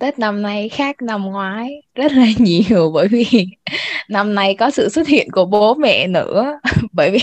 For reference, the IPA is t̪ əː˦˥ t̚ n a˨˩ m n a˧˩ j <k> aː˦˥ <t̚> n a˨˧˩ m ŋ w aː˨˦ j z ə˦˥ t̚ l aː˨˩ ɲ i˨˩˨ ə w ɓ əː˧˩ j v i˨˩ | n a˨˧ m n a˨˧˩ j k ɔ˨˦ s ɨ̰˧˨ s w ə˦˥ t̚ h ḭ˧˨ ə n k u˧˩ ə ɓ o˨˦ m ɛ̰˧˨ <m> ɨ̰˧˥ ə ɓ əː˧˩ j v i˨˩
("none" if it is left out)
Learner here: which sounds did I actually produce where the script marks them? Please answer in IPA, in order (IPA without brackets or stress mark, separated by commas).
x, k̚, n